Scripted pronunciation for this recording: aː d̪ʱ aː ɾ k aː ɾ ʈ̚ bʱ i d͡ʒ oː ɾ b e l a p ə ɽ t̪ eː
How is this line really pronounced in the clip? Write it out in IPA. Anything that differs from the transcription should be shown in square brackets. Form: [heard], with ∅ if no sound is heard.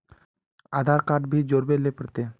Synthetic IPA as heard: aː d̪ʱ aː ɾ k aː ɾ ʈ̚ bʱ i d͡ʒ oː ɾ b e l [e] p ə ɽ t̪ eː